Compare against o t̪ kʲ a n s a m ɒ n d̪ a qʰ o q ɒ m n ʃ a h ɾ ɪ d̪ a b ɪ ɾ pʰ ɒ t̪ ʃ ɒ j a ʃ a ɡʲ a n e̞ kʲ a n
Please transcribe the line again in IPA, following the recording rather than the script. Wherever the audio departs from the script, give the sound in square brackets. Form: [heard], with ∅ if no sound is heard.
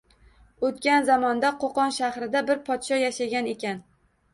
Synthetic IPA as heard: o t̪ kʲ a n [z] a m ɒ n d̪ a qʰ o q ɒ [∅] n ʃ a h ɾ ɪ d̪ a b ɪ ɾ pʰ ɒ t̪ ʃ ɒ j a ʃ a ɡʲ a n e̞ kʲ a n